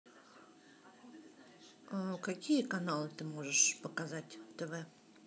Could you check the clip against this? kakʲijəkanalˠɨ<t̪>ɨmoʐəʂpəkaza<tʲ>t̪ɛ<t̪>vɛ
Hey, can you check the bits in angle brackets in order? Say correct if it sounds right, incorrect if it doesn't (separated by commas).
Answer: correct, correct, incorrect